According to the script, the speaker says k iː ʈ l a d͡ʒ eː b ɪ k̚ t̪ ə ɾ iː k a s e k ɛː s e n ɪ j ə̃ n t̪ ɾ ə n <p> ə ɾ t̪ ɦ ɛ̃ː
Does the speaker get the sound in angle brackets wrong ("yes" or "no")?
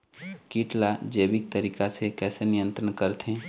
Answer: yes